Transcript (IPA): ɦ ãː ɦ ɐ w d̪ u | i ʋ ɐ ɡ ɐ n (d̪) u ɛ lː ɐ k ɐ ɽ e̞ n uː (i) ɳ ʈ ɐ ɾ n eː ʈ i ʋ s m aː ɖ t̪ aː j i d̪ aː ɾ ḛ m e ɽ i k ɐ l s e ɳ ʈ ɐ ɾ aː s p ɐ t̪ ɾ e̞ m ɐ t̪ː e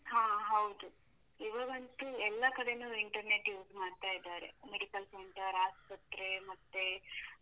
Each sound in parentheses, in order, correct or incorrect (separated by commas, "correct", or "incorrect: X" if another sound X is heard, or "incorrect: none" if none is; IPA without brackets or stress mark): incorrect: t̪, correct